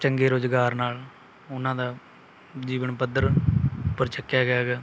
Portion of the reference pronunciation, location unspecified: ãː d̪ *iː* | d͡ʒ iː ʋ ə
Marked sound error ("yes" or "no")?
yes